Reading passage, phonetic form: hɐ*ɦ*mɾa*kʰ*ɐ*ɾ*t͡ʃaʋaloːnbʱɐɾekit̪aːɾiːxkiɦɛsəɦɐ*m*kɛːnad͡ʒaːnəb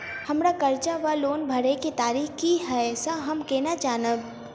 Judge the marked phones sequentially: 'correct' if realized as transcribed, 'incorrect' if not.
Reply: incorrect, incorrect, correct, correct

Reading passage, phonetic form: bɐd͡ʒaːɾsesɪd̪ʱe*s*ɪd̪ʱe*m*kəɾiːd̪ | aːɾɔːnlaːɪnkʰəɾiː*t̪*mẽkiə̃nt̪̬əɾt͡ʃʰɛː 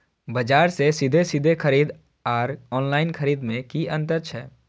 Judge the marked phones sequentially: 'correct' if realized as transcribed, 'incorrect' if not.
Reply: correct, incorrect, incorrect

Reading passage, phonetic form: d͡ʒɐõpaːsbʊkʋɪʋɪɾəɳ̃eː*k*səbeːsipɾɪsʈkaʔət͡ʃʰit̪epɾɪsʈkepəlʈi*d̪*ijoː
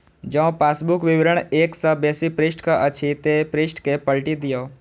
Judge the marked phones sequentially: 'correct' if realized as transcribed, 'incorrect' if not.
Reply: correct, correct

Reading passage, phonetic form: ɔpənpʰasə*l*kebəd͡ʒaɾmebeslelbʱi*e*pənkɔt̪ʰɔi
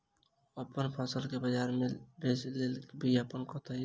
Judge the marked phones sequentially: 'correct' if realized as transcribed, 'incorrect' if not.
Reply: correct, incorrect

